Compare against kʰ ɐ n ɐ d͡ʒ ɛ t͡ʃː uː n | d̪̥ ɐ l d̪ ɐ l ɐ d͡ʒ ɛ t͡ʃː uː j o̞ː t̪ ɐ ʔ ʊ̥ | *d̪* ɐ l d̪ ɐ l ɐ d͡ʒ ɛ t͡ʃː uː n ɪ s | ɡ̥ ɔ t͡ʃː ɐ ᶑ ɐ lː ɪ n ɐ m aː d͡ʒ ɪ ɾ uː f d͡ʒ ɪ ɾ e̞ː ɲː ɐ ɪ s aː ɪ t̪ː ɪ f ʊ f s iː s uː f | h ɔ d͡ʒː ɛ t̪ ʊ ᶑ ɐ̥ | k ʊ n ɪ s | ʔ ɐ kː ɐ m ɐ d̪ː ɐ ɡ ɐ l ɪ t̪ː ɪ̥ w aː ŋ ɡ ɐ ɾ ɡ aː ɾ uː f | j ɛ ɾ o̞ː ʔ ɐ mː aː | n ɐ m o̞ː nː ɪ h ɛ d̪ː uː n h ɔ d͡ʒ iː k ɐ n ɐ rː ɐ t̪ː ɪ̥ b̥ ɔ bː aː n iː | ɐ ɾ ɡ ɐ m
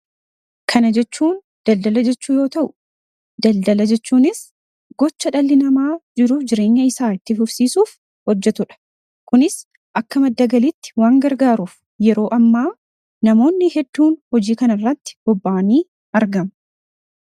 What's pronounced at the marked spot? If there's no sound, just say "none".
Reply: d̪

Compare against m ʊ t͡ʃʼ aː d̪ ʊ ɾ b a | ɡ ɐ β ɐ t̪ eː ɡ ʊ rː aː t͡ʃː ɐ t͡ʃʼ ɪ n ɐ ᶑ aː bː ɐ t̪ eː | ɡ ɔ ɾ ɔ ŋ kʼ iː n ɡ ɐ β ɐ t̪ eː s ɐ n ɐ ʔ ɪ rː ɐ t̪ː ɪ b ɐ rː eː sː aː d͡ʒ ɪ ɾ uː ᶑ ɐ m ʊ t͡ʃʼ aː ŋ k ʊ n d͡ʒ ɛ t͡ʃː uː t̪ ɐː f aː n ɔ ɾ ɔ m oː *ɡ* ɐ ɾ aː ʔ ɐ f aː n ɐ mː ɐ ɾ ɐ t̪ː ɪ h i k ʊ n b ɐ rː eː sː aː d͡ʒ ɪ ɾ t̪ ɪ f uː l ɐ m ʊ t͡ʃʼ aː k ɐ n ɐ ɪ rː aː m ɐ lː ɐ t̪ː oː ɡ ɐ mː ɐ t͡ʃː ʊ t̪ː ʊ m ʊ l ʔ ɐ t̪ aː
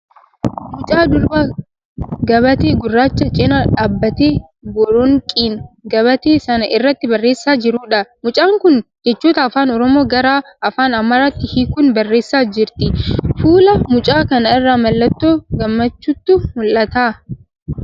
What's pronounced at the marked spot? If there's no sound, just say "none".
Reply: ɡ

